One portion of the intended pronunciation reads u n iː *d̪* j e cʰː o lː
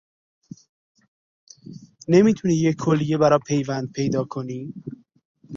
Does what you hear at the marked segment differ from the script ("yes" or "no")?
yes